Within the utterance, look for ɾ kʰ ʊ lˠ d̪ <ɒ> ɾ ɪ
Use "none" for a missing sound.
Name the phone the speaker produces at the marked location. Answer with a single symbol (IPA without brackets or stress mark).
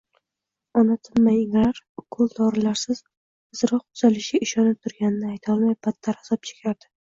ɒ